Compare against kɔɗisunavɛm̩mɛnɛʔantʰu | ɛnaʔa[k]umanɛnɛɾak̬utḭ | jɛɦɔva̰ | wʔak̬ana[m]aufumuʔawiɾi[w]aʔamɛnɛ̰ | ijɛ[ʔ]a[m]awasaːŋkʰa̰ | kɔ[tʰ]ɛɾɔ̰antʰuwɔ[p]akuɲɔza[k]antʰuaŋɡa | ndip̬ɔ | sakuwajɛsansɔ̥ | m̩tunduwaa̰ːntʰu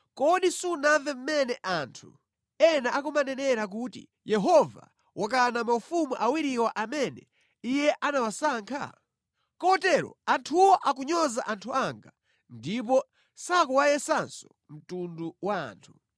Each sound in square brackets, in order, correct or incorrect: correct, correct, correct, correct, incorrect: n, incorrect: t, incorrect: ʔ, incorrect: ʔ

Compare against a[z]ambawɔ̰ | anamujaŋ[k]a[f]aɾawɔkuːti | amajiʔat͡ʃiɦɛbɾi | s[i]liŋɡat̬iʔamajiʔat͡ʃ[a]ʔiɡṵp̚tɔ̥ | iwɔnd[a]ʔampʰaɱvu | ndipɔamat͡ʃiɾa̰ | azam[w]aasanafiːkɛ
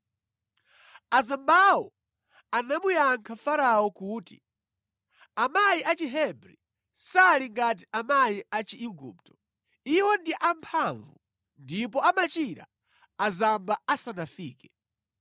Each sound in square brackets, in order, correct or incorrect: correct, incorrect: kʰ, correct, incorrect: a, incorrect: i, incorrect: i, incorrect: b

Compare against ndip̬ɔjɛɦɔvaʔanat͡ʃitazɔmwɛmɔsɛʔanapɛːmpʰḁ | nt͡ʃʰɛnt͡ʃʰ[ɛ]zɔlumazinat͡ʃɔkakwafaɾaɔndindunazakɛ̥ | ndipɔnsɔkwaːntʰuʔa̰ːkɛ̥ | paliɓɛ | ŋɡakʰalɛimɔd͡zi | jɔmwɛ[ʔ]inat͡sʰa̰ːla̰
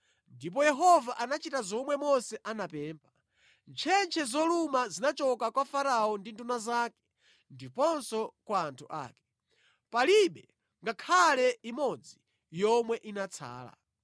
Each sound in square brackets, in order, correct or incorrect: correct, correct

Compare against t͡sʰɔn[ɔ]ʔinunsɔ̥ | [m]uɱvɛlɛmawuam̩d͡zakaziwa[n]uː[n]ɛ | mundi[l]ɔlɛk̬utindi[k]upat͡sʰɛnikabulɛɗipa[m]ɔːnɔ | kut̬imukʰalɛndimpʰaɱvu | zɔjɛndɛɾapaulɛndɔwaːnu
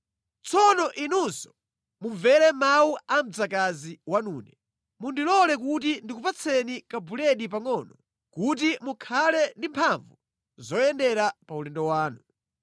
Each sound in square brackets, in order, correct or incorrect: correct, correct, correct, correct, correct, correct, incorrect: ŋ

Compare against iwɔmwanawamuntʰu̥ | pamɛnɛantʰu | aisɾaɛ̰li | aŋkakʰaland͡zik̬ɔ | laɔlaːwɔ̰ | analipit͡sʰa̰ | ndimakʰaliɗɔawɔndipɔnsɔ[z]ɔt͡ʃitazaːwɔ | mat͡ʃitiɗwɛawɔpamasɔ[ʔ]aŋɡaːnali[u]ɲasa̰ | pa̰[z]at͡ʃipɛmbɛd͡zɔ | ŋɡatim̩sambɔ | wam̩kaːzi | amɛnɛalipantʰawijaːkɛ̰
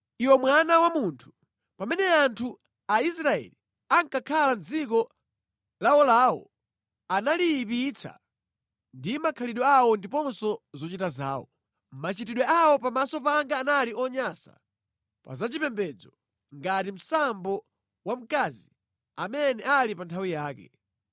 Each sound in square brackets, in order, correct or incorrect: correct, incorrect: p, incorrect: ɔ, correct

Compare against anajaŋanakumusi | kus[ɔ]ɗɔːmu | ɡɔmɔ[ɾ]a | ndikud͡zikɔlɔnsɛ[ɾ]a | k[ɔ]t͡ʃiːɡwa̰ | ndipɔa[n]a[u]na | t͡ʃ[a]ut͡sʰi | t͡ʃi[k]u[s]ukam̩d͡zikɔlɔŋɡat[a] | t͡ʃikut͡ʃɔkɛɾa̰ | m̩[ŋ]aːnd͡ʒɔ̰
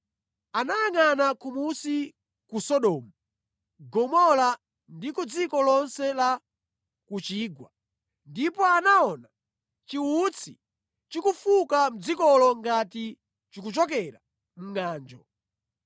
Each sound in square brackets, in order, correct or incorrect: correct, incorrect: l, incorrect: l, incorrect: u, correct, incorrect: ɔ, incorrect: i, correct, incorrect: f, incorrect: i, correct

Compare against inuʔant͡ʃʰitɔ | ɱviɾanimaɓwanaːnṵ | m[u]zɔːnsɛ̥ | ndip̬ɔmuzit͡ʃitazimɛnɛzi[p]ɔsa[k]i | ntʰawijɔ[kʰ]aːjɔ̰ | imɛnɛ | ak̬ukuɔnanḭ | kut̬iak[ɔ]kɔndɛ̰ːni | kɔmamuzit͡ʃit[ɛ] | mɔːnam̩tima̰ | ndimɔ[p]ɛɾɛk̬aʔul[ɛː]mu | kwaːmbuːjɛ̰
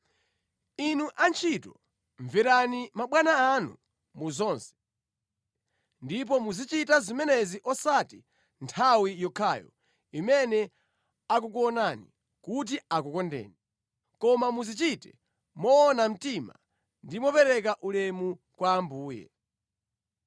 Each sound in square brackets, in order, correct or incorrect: correct, incorrect: ʔ, incorrect: t, correct, incorrect: u, correct, correct, incorrect: ɛ

